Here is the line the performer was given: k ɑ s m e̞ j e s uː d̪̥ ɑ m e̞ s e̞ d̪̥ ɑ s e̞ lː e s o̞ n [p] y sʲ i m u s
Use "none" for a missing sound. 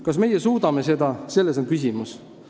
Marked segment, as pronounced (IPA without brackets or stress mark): k